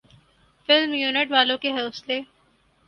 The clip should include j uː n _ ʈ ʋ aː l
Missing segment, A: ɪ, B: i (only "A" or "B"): A